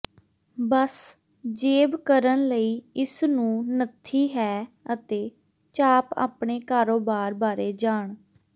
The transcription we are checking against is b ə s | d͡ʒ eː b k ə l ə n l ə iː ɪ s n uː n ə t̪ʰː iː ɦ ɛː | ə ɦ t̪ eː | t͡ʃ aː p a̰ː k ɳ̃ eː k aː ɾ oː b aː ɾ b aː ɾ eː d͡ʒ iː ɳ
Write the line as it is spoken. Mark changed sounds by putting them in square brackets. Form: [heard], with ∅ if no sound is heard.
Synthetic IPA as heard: b ə s | d͡ʒ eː b k ə [ɾ] ə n l ə iː ɪ s n [ũː] n ə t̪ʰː iː ɦ ɛː | ə [∅] t̪ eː | t͡ʃ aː p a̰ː [p] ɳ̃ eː k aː ɾ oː b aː ɾ b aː ɾ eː d͡ʒ [aː] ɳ